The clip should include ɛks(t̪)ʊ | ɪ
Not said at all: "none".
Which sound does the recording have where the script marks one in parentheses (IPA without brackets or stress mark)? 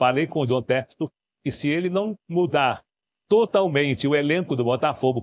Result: t̪